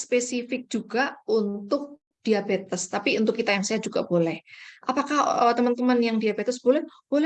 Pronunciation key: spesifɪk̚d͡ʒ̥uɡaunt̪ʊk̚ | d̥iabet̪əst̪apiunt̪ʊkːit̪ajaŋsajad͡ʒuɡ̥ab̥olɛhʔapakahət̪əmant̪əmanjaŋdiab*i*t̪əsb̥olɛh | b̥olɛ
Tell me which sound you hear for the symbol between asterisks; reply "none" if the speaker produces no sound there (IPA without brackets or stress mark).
e